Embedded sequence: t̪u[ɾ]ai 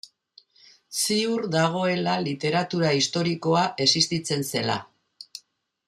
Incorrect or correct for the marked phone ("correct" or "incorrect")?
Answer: correct